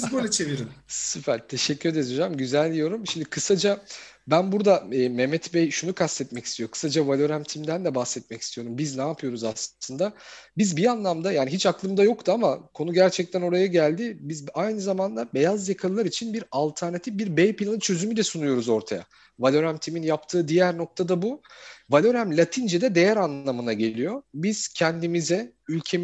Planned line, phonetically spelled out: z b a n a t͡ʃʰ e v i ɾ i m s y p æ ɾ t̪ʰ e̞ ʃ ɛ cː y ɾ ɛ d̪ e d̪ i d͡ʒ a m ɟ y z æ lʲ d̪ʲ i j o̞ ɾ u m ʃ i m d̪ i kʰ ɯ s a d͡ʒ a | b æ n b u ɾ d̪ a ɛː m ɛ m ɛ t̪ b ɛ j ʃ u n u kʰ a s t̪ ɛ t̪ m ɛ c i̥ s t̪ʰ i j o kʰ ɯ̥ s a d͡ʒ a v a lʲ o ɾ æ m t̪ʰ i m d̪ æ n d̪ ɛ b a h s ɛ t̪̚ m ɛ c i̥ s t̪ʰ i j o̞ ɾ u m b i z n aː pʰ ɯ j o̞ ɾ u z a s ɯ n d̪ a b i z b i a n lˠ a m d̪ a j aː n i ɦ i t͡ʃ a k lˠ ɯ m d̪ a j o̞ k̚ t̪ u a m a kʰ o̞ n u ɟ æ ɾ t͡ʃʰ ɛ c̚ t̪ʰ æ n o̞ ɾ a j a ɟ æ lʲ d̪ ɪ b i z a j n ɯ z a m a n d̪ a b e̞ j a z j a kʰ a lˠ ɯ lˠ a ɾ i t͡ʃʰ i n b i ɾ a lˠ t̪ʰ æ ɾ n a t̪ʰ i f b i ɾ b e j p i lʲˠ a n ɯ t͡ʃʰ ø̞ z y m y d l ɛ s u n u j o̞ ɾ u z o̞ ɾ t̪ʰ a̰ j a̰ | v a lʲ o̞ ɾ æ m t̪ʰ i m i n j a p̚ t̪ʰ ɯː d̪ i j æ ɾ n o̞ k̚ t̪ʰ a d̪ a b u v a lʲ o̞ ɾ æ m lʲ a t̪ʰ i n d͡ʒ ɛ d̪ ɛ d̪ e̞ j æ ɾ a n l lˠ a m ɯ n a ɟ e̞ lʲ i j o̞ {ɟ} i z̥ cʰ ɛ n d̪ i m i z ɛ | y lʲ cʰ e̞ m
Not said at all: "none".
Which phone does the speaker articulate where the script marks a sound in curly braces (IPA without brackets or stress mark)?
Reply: b